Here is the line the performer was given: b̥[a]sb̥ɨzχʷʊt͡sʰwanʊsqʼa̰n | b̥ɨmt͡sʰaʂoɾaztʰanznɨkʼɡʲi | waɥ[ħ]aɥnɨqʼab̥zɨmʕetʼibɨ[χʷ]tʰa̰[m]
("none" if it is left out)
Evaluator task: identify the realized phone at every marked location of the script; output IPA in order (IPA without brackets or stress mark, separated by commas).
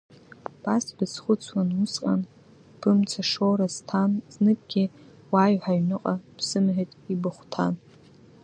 a, ħ, χʷ, n